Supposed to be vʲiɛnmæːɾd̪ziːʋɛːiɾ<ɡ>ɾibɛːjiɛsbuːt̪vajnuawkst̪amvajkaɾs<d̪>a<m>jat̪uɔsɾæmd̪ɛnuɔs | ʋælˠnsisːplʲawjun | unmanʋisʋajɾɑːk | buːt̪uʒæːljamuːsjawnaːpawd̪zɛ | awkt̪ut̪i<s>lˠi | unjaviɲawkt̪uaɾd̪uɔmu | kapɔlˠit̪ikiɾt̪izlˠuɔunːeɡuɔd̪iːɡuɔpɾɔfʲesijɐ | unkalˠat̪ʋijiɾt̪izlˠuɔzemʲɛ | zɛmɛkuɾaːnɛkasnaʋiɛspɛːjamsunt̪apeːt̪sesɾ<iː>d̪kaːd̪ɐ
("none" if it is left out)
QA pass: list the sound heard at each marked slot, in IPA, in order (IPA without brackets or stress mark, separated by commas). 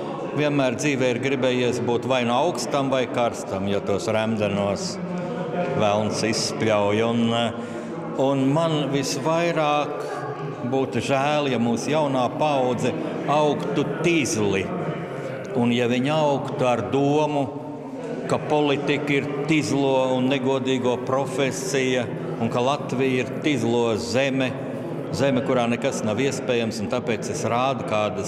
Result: ɡ, t̪, m, z, aː